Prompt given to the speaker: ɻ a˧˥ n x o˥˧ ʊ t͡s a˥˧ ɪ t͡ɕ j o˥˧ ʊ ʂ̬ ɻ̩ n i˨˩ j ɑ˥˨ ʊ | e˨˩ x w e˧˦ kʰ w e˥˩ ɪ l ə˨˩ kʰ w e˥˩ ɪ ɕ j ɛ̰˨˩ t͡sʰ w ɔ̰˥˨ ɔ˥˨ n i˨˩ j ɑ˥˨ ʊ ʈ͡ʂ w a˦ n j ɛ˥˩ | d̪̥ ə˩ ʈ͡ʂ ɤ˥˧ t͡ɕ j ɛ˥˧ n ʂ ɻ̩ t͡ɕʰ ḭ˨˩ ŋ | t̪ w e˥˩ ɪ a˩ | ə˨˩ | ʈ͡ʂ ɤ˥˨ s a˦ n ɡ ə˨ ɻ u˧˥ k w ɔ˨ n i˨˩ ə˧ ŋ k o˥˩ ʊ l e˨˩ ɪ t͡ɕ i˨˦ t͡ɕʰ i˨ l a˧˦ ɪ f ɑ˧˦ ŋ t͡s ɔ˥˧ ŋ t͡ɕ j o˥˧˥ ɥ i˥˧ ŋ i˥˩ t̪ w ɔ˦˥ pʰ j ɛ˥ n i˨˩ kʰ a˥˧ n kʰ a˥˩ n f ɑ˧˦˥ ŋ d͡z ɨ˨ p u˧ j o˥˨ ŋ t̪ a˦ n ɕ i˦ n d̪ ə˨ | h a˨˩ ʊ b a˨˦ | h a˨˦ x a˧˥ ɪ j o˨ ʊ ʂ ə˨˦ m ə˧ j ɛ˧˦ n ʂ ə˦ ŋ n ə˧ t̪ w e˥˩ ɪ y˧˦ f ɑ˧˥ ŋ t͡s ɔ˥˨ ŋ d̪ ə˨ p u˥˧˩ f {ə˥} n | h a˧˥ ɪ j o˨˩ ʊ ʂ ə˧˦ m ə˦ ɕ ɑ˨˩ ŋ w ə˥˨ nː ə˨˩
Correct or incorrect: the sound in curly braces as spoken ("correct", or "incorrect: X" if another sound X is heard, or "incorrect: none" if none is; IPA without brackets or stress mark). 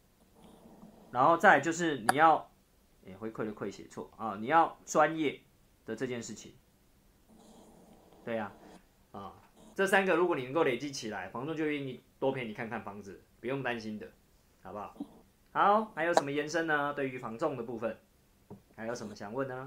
incorrect: ə˨˩